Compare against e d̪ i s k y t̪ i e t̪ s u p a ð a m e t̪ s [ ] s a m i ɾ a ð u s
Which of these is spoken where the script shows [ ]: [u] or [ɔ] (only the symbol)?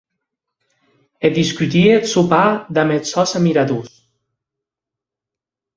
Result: ɔ